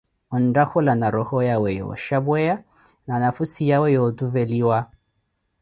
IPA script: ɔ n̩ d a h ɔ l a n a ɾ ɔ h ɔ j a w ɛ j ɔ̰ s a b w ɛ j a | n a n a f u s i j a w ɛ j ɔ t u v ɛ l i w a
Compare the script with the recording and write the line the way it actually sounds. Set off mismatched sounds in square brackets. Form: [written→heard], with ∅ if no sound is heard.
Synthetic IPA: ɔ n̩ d a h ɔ l a n a ɾ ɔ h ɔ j a w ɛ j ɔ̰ [s→ʃ] a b w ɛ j a | n a n a f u s i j a w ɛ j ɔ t u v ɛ l i w a

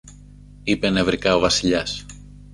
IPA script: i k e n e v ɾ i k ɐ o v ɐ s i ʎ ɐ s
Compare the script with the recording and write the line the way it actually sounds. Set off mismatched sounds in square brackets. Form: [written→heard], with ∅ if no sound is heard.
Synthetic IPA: i [k→p] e n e v ɾ i k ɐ o v ɐ s i ʎ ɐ s

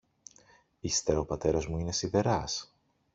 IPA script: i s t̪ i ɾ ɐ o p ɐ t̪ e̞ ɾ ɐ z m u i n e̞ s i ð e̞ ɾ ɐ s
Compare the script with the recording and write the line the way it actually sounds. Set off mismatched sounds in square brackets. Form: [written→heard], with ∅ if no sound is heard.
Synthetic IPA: i s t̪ [i→e] ɾ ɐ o p ɐ t̪ e̞ ɾ ɐ z m u i n e̞ s i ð e̞ ɾ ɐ s

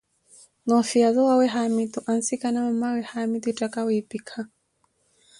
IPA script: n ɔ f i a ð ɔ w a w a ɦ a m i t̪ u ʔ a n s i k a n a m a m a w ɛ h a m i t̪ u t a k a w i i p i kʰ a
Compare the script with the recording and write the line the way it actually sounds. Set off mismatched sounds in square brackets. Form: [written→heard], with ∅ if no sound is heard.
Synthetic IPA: n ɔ f i a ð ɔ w a w [a→ɛ] ɦ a m i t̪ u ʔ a n s i k a n a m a m a w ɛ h a m i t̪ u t a k a w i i p i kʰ a

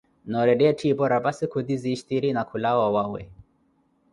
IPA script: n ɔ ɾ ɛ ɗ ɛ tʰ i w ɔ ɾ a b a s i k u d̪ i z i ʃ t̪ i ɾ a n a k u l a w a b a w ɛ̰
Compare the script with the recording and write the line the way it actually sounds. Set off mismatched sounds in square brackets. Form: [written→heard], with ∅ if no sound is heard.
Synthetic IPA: n ɔ ɾ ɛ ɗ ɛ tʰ i [w→b] ɔ ɾ a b a s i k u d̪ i z i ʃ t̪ i ɾ [a→i] n a k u l a w a [b→w] a w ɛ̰

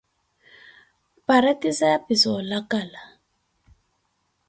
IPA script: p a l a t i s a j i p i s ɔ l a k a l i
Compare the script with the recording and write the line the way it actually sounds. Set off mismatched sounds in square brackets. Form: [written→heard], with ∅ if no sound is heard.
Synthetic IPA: p a [l→ɾ] a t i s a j [i→a] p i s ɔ l a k a l [i→a]

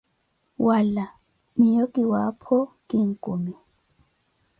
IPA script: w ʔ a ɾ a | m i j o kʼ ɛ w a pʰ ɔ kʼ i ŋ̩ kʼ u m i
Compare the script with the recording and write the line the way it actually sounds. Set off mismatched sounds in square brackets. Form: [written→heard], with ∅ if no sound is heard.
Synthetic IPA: w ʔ a [ɾ→l] a | m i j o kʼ [ɛ→i] w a pʰ ɔ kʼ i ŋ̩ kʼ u m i

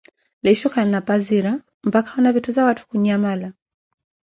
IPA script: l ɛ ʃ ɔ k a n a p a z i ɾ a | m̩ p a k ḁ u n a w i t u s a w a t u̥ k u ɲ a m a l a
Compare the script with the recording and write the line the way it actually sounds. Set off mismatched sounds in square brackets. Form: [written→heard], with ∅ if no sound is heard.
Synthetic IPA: l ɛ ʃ ɔ k a n a p a z i ɾ a | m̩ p a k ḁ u n a [w→v] i t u [s→z] a w a t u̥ k u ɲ a m a l a

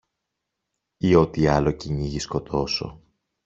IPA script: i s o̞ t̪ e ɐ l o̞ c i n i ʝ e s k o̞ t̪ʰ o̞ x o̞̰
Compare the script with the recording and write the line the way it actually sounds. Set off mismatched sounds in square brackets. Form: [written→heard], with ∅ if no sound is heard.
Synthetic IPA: i [s→∅] o̞ t̪ [e→i] ɐ l o̞ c i [n→ɲ] i ʝ [e→i] s k o̞ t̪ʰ o̞ [x→s] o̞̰

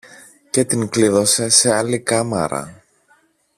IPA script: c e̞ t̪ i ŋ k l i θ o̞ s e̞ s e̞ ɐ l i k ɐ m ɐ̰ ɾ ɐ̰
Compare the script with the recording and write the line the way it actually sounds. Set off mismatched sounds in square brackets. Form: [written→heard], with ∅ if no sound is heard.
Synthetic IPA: c e̞ t̪ i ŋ k l i [θ→ð] o̞ s e̞ s e̞ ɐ l i k ɐ m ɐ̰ ɾ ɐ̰

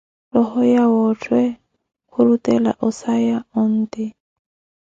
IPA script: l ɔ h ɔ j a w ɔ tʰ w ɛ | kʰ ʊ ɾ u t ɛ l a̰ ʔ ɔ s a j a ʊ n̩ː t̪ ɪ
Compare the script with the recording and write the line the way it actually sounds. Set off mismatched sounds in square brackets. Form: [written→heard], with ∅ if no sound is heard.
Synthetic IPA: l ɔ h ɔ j a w ɔ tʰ w ɛ | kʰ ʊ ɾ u t ɛ l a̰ ʔ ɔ s a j a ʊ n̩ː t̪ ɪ

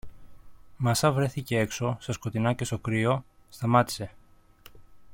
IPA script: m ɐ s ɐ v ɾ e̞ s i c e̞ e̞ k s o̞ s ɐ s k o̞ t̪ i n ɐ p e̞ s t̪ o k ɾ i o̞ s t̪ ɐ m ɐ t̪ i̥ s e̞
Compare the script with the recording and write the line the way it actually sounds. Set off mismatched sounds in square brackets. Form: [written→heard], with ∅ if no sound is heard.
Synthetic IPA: m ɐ s ɐ v ɾ e̞ [s→θ] i c e̞ e̞ k s o̞ s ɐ s k o̞ t̪ i n ɐ [p→c] e̞ s t̪ o k ɾ i o̞ s t̪ ɐ m ɐ t̪ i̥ s e̞

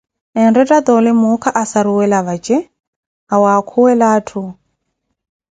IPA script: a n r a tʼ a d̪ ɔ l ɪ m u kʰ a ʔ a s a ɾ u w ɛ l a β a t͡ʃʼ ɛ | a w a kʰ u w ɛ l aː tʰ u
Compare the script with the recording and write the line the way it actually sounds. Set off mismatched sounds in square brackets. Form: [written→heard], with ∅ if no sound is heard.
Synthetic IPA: [a→ɛ] n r [a→ɛ] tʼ a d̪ ɔ l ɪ m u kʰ a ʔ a s a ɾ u w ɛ l a β a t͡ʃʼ ɛ | a w a kʰ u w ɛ l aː tʰ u

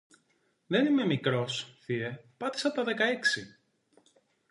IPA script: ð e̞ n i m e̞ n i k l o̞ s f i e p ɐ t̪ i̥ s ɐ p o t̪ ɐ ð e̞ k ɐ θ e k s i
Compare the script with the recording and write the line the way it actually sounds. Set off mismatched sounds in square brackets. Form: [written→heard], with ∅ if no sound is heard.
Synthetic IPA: ð e̞ n i m e̞ [n→m] i k [l→ɾ] o̞ s [f→θ] i e p ɐ t̪ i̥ s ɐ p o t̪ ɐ ð e̞ k ɐ [θ→∅] e k s i

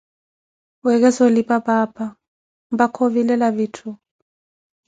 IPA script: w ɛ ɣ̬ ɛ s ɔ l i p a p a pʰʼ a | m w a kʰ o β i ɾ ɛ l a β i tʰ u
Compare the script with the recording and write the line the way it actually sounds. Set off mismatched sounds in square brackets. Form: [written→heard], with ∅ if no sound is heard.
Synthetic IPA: w ɛ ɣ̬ ɛ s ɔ l i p a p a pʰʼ a | m [w→b] a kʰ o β i [ɾ→l] ɛ l a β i tʰ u

